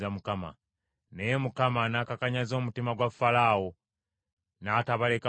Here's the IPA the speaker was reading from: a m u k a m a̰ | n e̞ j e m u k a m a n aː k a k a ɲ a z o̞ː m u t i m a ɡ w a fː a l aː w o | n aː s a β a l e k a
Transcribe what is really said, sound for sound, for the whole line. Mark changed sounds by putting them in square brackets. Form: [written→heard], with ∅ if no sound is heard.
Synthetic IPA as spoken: a m u k a m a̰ | n e̞ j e m u k a m a n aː k a k a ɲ a z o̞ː m u t i m a ɡ w a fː a l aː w o | n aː [s→t] a β a l e k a